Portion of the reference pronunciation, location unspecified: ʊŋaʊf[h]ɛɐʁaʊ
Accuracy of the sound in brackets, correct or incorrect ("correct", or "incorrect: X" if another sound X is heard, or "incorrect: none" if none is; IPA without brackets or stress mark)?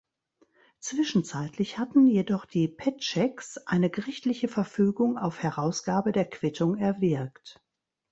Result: correct